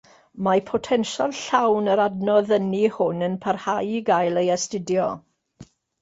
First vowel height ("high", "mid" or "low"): low